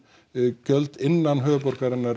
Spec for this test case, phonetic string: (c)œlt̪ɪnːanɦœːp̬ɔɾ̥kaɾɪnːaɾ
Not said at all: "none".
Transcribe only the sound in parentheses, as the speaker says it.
c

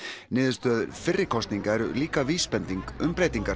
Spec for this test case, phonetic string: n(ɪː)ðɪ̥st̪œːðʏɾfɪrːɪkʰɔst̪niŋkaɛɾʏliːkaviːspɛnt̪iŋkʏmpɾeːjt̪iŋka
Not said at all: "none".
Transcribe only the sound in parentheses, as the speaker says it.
ɪː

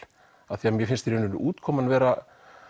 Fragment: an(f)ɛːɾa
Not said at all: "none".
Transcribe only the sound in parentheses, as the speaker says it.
v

